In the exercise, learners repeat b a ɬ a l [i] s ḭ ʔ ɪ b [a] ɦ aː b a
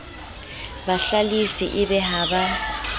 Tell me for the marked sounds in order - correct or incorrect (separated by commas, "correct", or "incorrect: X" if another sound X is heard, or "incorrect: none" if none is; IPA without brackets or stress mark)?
correct, incorrect: ɛ